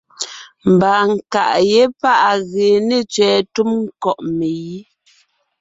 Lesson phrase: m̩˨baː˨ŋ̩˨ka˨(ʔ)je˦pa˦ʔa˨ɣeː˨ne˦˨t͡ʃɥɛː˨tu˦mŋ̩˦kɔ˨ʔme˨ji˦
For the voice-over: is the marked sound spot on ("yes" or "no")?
yes